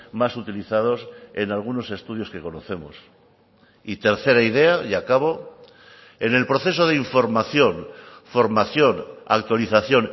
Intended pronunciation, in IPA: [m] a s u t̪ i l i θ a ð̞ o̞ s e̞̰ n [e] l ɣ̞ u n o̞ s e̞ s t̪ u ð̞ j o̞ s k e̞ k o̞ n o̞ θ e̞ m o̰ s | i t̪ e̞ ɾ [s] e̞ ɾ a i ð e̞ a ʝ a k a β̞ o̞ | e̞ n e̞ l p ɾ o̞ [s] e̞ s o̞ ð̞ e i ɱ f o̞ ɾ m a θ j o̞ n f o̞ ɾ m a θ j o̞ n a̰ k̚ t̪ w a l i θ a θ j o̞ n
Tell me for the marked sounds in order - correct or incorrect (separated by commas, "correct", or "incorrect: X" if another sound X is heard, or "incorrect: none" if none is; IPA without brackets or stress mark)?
correct, incorrect: a, incorrect: θ, incorrect: θ